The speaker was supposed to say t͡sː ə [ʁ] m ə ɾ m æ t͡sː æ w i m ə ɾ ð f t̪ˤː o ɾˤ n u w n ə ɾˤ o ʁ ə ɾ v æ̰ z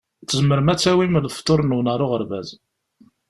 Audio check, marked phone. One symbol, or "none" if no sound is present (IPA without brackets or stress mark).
z